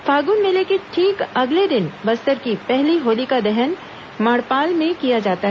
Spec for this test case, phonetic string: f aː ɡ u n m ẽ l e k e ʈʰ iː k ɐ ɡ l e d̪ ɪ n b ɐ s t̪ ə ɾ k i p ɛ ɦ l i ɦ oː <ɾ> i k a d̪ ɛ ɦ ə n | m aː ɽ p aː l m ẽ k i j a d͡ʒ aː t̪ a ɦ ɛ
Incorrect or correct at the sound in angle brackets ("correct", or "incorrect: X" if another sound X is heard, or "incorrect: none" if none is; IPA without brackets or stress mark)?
incorrect: l